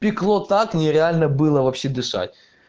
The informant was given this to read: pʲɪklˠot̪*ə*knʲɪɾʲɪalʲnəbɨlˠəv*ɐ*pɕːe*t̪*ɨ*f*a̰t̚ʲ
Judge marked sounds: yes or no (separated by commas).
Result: no, yes, no, no